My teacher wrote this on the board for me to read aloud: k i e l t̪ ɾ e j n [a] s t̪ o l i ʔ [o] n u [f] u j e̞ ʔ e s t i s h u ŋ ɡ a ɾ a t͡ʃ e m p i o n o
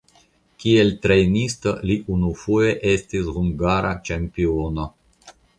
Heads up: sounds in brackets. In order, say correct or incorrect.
incorrect: i, incorrect: u, correct

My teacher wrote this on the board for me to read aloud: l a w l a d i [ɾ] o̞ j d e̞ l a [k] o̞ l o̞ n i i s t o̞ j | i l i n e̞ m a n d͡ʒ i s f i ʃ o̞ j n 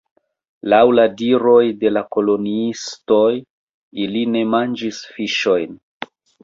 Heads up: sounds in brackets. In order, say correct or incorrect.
correct, correct

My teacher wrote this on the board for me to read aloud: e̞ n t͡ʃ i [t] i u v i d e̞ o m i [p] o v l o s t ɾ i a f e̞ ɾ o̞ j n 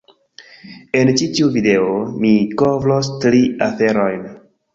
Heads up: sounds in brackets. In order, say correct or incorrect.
correct, incorrect: k

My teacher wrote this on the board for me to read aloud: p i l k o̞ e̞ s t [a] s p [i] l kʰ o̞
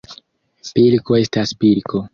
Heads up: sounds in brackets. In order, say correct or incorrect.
correct, correct

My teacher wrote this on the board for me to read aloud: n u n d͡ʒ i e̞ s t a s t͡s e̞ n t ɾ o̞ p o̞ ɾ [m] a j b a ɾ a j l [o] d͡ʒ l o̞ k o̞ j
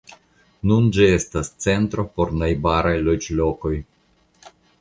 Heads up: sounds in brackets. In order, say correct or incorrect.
incorrect: n, correct

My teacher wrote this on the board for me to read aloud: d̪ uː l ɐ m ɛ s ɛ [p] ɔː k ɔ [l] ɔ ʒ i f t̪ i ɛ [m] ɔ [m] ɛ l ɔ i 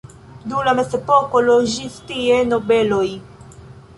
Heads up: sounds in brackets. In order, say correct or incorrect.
correct, correct, incorrect: n, incorrect: b

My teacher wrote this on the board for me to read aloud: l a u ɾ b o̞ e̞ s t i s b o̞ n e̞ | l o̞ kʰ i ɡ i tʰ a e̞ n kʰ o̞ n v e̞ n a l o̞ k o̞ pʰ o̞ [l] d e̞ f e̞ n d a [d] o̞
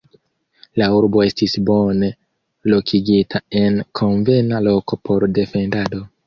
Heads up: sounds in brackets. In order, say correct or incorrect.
incorrect: ɾ, correct

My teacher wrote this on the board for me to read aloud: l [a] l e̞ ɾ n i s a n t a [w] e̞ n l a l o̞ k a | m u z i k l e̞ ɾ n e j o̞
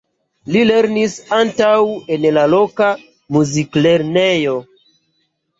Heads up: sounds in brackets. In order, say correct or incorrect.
incorrect: i, correct

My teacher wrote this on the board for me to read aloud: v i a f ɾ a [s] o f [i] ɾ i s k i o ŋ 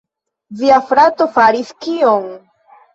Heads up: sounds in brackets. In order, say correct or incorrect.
incorrect: t, incorrect: a

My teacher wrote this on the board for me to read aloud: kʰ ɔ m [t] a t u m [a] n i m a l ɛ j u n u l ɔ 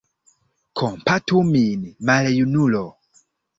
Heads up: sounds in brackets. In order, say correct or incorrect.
incorrect: p, incorrect: i

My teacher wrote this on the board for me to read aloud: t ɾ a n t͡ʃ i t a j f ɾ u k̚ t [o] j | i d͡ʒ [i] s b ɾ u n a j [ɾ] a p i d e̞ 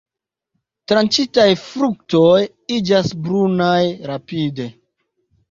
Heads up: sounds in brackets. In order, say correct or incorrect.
correct, incorrect: a, correct

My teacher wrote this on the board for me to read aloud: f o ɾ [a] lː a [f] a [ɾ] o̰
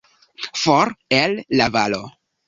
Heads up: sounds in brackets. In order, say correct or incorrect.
incorrect: e, incorrect: v, incorrect: l

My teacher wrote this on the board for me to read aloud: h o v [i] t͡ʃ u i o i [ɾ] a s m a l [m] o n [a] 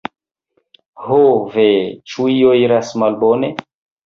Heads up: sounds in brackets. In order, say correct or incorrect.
incorrect: e, correct, incorrect: b, incorrect: e

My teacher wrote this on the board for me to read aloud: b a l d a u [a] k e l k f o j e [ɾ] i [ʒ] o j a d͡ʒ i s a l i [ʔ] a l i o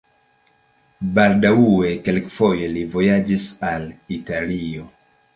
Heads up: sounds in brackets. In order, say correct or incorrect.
incorrect: e, incorrect: l, incorrect: v, incorrect: t

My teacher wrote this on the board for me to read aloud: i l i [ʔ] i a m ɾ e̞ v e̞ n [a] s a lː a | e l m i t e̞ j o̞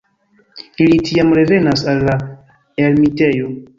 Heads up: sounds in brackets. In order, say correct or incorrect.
incorrect: t, correct

